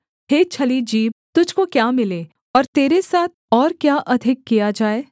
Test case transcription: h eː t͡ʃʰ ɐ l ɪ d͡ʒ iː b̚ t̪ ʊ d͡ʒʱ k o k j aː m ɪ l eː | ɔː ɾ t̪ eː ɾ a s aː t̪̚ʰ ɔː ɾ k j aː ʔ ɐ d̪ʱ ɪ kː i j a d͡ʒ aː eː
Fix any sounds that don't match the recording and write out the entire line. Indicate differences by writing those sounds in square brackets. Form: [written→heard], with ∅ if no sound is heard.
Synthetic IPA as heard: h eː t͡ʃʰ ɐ l [ɪ→i] d͡ʒ iː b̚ t̪ ʊ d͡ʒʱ k o k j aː m ɪ l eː | ɔː ɾ t̪ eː ɾ [a→e] s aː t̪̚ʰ ɔː ɾ k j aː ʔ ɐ d̪ʱ ɪ kː i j a d͡ʒ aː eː

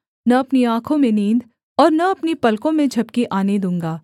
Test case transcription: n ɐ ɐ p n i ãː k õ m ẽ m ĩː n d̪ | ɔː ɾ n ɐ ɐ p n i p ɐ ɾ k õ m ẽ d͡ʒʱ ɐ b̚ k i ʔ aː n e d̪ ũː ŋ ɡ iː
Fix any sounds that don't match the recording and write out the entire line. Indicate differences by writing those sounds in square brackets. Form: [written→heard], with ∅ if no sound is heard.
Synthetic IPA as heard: n ɐ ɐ p n i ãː [k→kʰ] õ m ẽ [m→n] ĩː n d̪ | ɔː ɾ n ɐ ɐ p n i p ɐ [ɾ→l] k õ m ẽ d͡ʒʱ ɐ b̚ k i ʔ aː n e d̪ ũː ŋ ɡ [iː→aː]

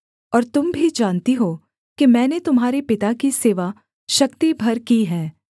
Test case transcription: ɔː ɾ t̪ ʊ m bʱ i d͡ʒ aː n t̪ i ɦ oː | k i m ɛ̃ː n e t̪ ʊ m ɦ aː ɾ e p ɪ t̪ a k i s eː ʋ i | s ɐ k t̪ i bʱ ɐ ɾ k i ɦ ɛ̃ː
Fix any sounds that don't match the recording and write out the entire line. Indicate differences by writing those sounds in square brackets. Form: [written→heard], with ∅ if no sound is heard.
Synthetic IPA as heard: ɔː ɾ t̪ ʊ m bʱ i d͡ʒ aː n t̪ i ɦ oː | k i m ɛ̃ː n e t̪ ʊ m ɦ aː ɾ e p ɪ t̪ a k i s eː ʋ [i→a] | [s→ʃ] ɐ k t̪ i bʱ ɐ ɾ k i ɦ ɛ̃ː

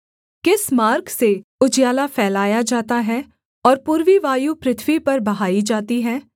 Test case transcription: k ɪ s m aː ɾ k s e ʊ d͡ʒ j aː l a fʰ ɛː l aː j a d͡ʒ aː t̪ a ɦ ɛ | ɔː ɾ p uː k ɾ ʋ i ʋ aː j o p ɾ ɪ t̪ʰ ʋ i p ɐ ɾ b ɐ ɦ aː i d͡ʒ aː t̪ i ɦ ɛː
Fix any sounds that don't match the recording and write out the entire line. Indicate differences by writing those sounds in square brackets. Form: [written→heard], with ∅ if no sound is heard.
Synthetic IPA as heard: k ɪ s m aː ɾ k s e ʊ d͡ʒ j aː l a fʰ ɛː l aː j a d͡ʒ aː t̪ a ɦ ɛ | ɔː ɾ p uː [k→∅] ɾ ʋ i ʋ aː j [o→u] p ɾ ɪ t̪ʰ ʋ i p ɐ ɾ b ɐ ɦ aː i d͡ʒ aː t̪ i ɦ ɛː

